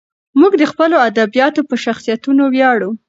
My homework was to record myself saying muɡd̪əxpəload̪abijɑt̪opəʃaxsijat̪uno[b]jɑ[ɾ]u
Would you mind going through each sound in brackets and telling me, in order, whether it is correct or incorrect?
incorrect: w, incorrect: ɽ

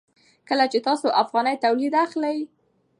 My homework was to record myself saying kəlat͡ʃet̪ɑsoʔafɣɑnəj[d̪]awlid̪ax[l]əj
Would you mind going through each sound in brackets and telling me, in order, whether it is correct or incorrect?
incorrect: t̪, correct

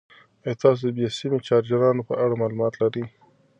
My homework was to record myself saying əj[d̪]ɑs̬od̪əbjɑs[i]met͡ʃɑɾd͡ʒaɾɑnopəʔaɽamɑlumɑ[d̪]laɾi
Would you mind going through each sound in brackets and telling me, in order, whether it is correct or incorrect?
incorrect: t̪, correct, incorrect: t̪

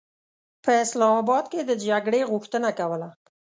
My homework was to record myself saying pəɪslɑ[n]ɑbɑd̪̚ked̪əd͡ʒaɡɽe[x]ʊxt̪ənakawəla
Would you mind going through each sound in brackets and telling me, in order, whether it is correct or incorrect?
incorrect: m, incorrect: ɣ

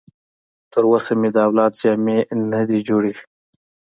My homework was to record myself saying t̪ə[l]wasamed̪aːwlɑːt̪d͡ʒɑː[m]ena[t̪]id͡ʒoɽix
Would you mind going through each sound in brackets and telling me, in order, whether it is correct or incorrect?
incorrect: ɾ, correct, incorrect: d̪

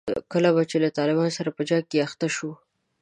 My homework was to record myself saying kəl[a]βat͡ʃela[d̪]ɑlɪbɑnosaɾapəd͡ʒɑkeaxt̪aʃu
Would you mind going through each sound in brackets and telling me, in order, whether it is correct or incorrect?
correct, incorrect: t̪

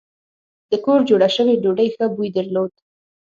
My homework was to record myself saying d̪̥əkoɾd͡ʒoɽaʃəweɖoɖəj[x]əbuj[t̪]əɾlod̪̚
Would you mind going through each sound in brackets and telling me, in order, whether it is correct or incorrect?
correct, incorrect: d̪

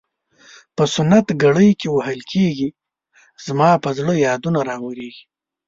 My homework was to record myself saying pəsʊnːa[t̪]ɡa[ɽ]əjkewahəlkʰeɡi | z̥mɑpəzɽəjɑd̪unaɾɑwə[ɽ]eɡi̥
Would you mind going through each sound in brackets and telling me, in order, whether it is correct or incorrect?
correct, correct, incorrect: ɾ

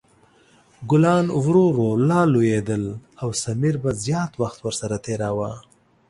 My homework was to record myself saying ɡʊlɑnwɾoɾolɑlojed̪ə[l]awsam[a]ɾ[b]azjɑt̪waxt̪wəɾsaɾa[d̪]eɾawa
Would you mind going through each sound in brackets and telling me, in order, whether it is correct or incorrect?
correct, incorrect: i, correct, incorrect: t̪

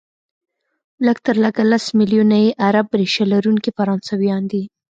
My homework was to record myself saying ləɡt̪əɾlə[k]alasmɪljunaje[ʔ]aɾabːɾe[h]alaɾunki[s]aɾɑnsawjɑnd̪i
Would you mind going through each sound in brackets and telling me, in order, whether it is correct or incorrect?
incorrect: ɡ, correct, incorrect: ʃ, incorrect: f

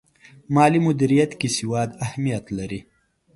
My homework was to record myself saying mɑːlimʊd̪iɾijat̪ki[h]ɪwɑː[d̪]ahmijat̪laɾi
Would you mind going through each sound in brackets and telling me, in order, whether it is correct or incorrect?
incorrect: s, correct

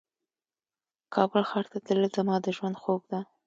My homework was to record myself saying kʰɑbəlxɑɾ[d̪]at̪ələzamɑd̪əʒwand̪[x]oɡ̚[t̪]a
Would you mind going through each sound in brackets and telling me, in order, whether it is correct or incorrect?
incorrect: t̪, correct, incorrect: d̪

